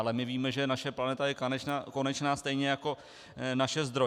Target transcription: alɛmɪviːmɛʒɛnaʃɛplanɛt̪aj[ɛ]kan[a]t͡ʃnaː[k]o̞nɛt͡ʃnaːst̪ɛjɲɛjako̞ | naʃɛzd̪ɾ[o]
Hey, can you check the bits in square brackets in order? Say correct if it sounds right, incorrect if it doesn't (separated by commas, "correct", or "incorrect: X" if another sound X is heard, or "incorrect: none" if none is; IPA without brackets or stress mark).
correct, incorrect: ɛ, correct, correct